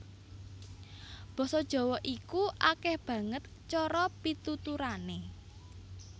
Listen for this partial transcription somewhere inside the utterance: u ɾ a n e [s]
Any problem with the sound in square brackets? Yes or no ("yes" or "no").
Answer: yes